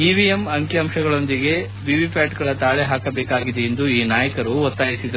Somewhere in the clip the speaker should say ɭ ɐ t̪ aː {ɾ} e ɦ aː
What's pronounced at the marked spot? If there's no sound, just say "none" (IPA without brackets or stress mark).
ɭ